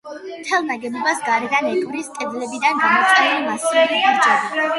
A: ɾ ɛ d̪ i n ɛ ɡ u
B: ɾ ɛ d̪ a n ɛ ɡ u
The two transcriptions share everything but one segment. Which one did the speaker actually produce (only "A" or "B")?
B